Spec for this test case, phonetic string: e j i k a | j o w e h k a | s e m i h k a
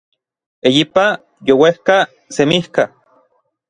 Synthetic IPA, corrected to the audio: e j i p a | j o w e h k a | s e m i h k a